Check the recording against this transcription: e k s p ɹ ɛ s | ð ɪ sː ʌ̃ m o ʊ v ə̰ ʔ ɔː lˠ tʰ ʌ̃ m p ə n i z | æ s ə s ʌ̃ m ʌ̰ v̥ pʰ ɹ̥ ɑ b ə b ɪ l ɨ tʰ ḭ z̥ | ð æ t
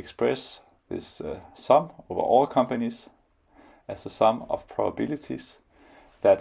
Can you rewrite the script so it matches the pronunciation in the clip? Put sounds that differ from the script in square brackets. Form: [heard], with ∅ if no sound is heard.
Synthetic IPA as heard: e k s p ɹ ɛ s | ð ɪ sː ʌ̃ m o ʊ v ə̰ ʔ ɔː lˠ [kʰ] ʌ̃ m p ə n i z | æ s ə s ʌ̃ m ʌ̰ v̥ pʰ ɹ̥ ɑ b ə b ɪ l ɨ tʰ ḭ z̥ | ð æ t

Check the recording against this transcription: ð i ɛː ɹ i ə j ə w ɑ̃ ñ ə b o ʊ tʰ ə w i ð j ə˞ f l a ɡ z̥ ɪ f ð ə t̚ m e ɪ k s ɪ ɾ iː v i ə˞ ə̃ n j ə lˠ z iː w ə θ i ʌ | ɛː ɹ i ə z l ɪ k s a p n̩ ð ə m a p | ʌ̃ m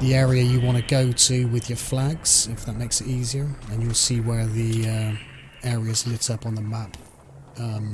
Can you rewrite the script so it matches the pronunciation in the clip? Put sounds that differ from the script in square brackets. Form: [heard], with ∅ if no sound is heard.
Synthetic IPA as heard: ð i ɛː ɹ i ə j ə w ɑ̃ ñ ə [ɡ] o ʊ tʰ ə w [ɪ] ð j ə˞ f l a ɡ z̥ ɪ f ð ə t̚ m e ɪ k s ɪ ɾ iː [z] i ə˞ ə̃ n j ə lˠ [s] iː w ə [ð] i ʌ | ɛː ɹ i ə z l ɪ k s [ʌ] p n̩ ð ə m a p | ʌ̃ m

